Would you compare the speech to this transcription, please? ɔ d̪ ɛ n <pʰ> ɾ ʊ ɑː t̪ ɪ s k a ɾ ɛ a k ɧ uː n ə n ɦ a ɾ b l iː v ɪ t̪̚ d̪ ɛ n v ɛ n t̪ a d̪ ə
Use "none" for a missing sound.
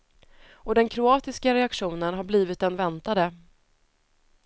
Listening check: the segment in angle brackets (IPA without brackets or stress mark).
kʰ